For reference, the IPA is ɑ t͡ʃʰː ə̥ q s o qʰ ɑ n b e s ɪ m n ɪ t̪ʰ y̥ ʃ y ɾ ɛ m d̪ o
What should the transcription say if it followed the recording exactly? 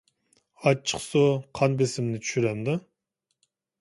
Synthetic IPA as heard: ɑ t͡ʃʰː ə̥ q s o qʰ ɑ n b e s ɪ m n ɪ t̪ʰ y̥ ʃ y ɾ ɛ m d̪ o